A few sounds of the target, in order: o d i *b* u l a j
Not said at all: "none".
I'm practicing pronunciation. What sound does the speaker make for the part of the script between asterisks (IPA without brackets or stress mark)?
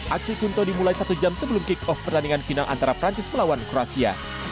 m